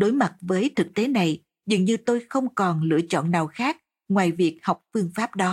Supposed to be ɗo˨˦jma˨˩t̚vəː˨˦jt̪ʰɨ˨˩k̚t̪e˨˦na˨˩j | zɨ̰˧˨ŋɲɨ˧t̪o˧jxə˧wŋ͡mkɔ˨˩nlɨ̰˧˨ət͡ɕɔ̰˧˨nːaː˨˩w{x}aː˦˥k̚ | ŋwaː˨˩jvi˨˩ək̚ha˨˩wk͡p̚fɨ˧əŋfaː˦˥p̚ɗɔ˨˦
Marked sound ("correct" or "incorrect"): correct